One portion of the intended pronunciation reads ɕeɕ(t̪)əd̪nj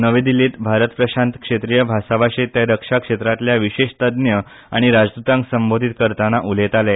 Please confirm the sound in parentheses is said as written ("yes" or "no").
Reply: yes